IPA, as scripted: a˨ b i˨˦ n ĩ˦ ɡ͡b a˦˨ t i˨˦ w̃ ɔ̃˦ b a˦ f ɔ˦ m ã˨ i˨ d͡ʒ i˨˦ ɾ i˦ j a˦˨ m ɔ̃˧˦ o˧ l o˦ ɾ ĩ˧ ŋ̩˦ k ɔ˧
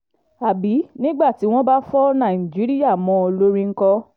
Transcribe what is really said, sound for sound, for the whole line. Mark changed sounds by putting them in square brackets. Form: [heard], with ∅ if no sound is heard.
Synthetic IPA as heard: a˨ b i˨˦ n ĩ˦ ɡ͡b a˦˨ t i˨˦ w̃ ɔ̃˦ b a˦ f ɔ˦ [n] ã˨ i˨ d͡ʒ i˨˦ ɾ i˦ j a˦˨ m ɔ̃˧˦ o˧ l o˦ ɾ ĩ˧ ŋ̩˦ k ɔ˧